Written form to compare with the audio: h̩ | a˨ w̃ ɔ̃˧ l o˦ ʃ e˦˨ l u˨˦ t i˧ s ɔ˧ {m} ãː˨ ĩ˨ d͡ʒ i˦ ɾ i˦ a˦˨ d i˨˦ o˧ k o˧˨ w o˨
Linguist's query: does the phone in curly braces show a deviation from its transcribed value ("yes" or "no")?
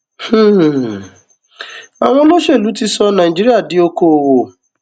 yes